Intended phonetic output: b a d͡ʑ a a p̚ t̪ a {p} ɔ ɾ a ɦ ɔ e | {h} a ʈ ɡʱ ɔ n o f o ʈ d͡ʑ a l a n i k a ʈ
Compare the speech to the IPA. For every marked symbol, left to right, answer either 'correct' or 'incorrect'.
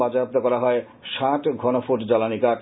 incorrect: k, incorrect: ʃ

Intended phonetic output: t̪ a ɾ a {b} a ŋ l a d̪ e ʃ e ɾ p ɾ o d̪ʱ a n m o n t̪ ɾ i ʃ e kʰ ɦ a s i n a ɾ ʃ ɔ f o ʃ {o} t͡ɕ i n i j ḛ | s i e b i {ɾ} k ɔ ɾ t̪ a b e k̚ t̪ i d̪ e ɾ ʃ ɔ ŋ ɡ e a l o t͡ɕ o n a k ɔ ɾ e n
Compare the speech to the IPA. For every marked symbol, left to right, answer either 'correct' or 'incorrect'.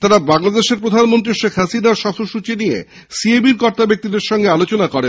correct, incorrect: u, correct

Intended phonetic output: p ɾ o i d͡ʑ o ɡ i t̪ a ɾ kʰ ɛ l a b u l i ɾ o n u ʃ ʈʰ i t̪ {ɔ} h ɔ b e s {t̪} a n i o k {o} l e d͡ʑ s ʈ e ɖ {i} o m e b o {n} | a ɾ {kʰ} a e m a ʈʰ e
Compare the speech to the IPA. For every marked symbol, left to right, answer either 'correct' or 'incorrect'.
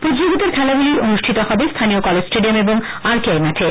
incorrect: o, incorrect: t̪ʰ, incorrect: ɔ, correct, incorrect: ŋ, incorrect: k

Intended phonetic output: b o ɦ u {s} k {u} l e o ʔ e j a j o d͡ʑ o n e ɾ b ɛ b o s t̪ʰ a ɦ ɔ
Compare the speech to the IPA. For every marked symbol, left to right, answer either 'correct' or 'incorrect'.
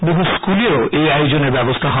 correct, correct

